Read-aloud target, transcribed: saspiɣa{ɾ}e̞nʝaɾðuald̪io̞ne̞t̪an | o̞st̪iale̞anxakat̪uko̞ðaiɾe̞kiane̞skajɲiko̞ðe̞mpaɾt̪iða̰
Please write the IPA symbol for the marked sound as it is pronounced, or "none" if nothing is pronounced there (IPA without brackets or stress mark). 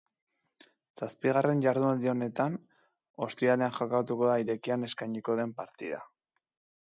r